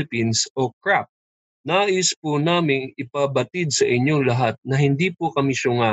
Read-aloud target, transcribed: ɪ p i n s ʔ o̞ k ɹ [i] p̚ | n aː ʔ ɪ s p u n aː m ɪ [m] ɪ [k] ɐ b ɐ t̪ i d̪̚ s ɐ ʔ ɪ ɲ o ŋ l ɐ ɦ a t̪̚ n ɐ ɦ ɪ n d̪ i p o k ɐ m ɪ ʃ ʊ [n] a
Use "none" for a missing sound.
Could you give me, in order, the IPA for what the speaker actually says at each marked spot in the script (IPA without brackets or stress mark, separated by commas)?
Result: a, ŋ, p, ŋ